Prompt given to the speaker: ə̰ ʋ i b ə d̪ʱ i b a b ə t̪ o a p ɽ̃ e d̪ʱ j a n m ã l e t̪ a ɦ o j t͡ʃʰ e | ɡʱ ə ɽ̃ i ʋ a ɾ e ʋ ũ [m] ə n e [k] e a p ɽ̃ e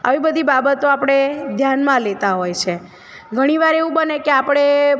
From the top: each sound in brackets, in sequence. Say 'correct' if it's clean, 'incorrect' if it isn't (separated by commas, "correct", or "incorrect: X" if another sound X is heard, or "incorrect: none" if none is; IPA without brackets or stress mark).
incorrect: b, correct